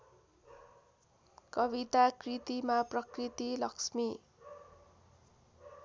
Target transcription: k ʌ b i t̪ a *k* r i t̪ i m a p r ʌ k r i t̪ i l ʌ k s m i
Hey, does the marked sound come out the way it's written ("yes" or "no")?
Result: yes